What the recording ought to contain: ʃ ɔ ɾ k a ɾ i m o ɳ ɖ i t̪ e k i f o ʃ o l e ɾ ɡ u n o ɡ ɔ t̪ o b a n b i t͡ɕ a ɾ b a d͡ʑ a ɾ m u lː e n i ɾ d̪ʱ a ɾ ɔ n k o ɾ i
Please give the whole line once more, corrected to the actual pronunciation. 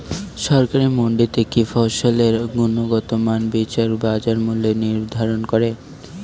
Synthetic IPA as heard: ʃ ɔ ɾ k a ɾ i m o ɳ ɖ i t̪ e k i f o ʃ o l e ɾ ɡ u n o ɡ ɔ t̪ o m a n b i t͡ɕ a ɾ b a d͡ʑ a ɾ m u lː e n i ɾ d̪ʱ a ɾ o n k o ɾ e